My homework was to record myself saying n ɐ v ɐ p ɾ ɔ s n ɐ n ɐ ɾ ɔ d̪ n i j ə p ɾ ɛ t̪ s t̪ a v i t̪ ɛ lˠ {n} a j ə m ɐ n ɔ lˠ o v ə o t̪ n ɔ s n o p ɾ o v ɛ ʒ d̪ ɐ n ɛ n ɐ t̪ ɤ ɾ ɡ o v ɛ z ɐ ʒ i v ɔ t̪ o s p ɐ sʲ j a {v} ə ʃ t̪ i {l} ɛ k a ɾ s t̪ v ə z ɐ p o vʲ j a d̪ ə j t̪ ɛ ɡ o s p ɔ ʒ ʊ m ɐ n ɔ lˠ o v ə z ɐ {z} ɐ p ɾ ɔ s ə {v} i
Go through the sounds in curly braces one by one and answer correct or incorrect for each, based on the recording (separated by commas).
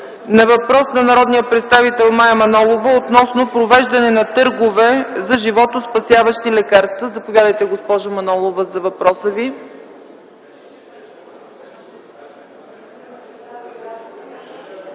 incorrect, correct, correct, incorrect, correct